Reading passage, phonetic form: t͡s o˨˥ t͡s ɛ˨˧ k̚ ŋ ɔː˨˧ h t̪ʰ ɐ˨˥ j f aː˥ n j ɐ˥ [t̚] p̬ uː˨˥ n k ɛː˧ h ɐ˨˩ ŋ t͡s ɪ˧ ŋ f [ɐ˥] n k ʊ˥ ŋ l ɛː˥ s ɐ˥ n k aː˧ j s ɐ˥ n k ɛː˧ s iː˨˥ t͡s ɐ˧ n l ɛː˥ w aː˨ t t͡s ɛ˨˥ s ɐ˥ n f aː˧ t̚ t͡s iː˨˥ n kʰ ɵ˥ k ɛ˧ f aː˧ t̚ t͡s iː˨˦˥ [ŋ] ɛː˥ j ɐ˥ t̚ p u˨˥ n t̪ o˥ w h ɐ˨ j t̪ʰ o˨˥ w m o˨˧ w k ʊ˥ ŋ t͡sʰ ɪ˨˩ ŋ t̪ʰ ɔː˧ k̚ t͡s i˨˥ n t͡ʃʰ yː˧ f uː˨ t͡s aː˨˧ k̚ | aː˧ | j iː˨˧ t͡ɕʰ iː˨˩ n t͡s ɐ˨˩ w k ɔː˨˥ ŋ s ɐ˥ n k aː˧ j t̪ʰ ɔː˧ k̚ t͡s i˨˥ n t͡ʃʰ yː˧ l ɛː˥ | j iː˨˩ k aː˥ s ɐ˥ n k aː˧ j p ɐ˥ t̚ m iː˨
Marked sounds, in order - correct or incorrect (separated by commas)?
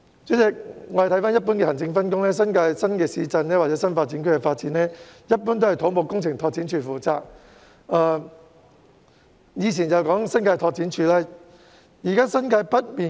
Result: correct, correct, incorrect